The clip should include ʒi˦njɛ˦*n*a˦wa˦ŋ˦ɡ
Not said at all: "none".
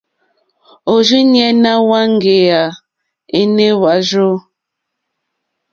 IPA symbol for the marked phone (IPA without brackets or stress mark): n